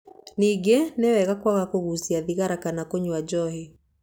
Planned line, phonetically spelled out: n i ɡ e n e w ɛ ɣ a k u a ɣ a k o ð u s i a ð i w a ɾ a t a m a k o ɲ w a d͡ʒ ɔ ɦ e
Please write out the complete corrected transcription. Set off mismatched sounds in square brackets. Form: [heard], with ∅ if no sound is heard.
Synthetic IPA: n i ɡ e n e w ɛ ɣ a k [w] a ɣ a k o [ɣ] u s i a ð i [ɣ] a ɾ a [k] a [n] a k o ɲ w a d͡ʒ ɔ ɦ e